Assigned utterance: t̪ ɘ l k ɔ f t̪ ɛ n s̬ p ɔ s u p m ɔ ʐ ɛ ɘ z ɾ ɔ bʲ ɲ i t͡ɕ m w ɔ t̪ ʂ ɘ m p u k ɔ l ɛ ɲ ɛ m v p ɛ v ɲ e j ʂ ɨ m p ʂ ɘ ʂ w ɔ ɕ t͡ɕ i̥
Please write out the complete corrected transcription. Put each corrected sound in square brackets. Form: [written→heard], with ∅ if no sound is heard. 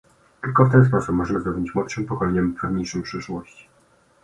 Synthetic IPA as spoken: t̪ ɘ l k ɔ f t̪ ɛ n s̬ p ɔ s u p m ɔ ʐ ɛ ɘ z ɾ ɔ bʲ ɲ i t͡ɕ m w ɔ t̪ ʂ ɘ m p [u→ɔ] k ɔ l ɛ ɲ ɛ m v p ɛ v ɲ e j ʂ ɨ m p ʂ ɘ ʂ w ɔ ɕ t͡ɕ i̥